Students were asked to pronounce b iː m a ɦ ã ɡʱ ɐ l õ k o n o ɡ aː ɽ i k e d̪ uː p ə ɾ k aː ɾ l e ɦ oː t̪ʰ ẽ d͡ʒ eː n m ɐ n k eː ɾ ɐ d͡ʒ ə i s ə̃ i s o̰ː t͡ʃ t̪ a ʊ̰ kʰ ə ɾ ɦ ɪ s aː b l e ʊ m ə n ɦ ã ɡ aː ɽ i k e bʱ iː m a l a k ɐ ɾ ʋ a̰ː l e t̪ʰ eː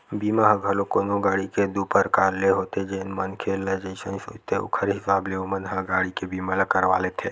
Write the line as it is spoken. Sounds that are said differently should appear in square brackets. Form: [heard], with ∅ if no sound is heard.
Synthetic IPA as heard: b iː m a ɦ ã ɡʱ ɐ l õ k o n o ɡ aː ɽ i k e d̪ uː p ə ɾ k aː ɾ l e ɦ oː [t̪] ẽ d͡ʒ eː n m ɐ n [kʰ] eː [l] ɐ d͡ʒ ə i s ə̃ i s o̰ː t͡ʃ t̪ [e] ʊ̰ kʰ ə ɾ ɦ ɪ s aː b l e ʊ m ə n ɦ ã ɡ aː ɽ i k e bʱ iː m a l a k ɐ ɾ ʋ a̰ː l e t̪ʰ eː